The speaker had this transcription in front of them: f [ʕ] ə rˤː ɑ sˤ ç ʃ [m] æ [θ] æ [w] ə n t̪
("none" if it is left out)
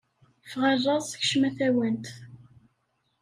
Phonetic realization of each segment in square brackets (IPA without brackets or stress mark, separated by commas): ʁ, m, θ, w